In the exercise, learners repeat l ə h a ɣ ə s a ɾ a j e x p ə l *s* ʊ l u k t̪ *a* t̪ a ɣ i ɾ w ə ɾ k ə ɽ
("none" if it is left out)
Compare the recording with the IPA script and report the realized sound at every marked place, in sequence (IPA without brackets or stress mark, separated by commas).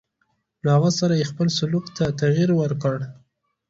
s, a